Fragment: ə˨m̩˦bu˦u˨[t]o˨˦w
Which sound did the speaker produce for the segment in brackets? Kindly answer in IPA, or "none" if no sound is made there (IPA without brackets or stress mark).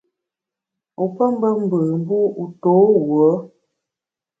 t